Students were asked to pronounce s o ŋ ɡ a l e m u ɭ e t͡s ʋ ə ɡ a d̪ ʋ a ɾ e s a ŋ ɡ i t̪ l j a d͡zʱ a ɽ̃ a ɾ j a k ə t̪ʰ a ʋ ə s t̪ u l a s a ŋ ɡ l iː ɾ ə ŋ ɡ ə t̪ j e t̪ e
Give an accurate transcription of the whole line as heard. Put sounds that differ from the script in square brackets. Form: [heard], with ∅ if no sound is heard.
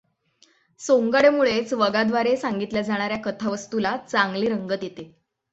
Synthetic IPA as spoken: s o ŋ ɡ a [ɽ] e m u ɭ e t͡s ʋ ə ɡ a d̪ ʋ a ɾ e s a ŋ ɡ i t̪ l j a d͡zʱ a ɽ̃ a ɾ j a k ə t̪ʰ a ʋ ə s t̪ u l a [t͡s] a ŋ ɡ l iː ɾ ə ŋ ɡ ə t̪ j e t̪ e